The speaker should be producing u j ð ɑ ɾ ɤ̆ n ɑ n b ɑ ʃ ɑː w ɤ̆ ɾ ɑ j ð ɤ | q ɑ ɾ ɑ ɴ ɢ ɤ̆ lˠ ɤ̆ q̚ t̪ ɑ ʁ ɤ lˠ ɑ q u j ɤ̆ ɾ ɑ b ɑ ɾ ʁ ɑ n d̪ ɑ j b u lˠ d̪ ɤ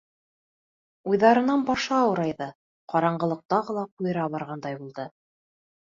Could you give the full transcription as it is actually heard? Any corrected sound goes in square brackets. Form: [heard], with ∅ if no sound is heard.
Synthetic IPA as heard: u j ð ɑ ɾ ɤ̆ n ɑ n b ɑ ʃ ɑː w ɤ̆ ɾ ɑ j ð ɤ | q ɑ ɾ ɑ ɴ ɢ ɤ̆ lˠ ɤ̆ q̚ t̪ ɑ ʁ ɤ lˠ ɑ q u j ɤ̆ ɾ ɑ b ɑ ɾ ʁ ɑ n d̪ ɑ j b u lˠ d̪ ɤ